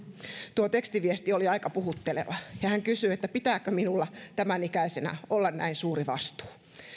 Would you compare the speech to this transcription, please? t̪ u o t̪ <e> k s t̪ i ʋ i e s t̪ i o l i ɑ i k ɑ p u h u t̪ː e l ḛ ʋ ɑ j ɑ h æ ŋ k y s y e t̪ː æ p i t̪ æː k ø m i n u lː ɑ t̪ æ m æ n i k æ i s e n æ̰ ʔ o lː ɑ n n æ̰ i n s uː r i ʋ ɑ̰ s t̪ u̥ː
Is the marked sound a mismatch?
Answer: no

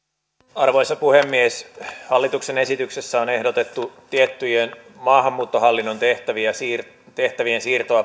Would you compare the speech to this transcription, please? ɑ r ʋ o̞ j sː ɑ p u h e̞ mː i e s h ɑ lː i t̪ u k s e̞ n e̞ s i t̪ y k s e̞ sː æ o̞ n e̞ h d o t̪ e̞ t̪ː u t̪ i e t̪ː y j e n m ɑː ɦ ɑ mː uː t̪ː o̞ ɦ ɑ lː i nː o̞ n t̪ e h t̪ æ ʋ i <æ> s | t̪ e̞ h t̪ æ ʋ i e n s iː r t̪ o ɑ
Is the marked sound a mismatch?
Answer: no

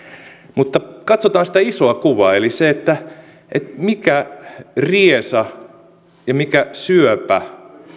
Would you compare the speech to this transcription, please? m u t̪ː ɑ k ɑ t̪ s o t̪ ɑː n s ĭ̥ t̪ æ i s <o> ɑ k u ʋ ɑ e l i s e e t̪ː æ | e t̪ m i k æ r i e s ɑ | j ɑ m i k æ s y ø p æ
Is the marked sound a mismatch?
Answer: no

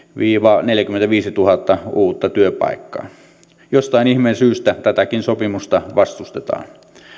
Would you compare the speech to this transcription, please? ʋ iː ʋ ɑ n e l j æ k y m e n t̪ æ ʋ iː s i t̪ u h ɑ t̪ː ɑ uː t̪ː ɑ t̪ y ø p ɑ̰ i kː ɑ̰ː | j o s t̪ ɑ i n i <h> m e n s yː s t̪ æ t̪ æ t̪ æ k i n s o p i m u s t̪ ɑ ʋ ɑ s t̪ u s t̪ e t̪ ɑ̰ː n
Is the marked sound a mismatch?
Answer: no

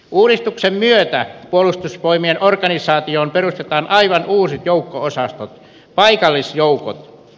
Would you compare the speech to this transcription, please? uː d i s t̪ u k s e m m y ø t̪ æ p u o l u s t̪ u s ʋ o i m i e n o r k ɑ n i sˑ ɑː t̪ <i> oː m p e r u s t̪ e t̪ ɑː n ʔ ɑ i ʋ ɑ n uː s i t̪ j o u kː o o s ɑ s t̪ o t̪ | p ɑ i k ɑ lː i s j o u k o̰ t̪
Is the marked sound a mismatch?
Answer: no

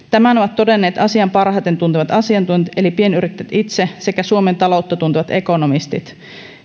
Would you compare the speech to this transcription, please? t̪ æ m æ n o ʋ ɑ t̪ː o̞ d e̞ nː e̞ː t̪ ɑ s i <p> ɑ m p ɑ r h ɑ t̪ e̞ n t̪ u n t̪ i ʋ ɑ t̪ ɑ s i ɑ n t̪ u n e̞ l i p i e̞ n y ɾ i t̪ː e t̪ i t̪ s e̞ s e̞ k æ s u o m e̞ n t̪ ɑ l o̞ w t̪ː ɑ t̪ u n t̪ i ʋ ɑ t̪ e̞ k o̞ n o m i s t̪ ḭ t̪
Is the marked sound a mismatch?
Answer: yes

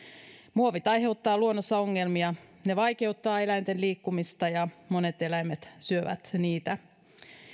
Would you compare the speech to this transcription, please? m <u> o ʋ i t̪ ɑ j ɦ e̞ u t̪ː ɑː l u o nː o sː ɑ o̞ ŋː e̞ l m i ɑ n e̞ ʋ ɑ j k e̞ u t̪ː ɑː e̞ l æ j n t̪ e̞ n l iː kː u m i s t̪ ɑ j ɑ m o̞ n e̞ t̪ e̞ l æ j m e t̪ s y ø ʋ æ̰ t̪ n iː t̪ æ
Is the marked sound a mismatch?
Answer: no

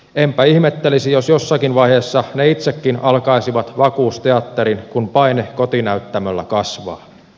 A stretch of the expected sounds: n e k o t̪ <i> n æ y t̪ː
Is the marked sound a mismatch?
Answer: no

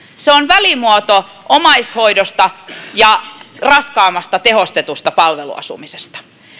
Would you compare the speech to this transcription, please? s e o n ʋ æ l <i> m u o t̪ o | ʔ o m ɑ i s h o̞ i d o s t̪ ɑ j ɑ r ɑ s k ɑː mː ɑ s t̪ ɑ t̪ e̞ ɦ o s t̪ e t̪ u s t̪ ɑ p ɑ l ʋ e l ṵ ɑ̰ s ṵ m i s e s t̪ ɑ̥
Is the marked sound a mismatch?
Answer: no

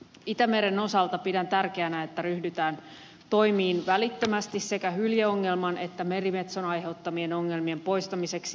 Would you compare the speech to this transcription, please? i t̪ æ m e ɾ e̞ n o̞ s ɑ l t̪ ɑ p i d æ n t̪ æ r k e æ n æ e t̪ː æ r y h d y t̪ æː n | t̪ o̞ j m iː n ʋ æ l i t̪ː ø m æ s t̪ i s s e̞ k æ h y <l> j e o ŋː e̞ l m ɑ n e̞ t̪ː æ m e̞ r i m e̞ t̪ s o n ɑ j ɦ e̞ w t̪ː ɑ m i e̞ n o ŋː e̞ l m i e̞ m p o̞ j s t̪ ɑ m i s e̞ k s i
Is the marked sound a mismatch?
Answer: no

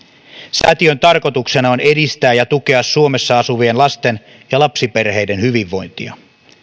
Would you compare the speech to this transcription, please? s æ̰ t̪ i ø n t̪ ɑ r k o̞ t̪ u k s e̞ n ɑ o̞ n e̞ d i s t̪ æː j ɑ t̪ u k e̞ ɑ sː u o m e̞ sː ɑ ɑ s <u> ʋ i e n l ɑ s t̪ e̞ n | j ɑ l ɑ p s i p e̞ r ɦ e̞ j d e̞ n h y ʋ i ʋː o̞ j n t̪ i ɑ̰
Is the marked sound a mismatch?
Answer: no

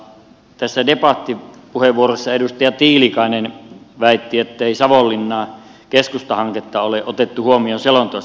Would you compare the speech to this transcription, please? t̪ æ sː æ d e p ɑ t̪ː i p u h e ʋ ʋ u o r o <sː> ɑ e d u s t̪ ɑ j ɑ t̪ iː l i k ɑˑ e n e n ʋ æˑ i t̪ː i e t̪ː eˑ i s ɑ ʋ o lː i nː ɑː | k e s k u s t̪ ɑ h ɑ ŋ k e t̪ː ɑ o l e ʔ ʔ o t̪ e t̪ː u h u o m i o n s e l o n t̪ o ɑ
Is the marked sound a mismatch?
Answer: no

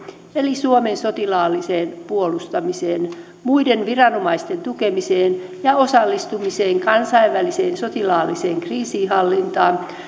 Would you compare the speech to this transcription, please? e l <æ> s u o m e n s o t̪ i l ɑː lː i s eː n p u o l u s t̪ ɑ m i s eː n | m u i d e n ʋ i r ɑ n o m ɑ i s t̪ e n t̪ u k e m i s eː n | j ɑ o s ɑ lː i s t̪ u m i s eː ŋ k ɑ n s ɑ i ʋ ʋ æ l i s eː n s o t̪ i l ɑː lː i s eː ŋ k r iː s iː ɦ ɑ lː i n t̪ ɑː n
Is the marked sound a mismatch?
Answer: yes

